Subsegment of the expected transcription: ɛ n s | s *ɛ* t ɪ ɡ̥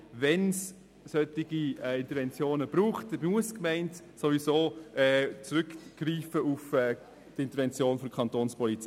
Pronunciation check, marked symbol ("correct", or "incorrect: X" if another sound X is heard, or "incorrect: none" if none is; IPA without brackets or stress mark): incorrect: œ